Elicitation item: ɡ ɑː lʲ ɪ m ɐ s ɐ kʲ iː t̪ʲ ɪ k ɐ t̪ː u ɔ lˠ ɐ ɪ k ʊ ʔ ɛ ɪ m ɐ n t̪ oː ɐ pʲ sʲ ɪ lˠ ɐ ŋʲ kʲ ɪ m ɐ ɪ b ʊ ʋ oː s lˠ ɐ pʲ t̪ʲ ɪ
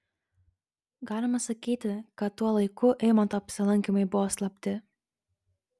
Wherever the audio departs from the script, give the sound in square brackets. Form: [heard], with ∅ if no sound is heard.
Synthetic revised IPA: ɡ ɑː lʲ ɪ m ɐ s ɐ kʲ iː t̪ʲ ɪ k ɐ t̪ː u ɔ lˠ ɐ ɪ k ʊ ʔ ɛ ɪ m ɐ n t̪ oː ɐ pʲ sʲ ɪ lˠ ɐ ŋʲ kʲ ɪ m ɐ ɪ b ʊ ʋ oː s lˠ ɐ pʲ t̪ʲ ɪ